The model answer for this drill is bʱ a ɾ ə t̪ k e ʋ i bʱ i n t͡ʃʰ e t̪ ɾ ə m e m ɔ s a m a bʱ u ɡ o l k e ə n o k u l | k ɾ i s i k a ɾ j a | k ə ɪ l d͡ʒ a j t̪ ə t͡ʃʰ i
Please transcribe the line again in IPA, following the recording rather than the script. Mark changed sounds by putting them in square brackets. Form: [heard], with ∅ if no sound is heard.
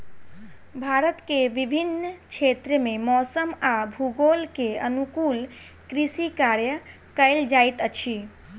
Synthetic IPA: bʱ a ɾ ə t̪ k e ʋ i bʱ i n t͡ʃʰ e t̪ ɾ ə m e m ɔ s [ə] m a bʱ u ɡ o l k e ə n [u] k u l | k ɾ i s i k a ɾ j [ə] | k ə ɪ l d͡ʒ a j t̪ ə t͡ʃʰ i